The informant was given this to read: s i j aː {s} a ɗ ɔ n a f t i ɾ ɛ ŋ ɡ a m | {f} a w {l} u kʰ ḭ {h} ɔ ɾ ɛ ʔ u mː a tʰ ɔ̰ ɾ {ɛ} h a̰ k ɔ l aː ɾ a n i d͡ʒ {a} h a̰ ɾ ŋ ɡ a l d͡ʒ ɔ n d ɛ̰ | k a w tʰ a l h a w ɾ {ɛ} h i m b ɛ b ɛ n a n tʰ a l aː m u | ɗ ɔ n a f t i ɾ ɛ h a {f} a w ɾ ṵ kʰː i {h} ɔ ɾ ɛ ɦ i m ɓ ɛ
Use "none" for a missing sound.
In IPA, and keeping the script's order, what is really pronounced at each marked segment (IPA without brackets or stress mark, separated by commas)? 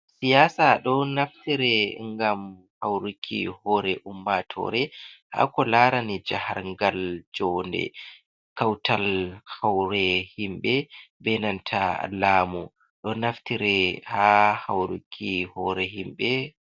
s, h, ɾ, h, ɛ, a, ɛ, h, h